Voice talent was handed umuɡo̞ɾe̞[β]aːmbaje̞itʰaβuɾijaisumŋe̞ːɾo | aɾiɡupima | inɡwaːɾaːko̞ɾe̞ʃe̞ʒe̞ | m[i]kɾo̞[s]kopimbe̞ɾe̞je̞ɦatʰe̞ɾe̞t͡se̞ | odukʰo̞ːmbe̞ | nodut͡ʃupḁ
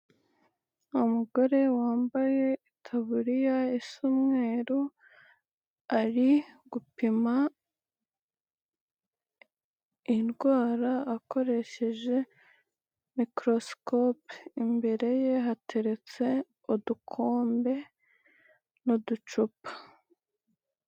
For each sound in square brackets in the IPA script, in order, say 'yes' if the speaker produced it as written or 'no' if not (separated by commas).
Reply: no, yes, yes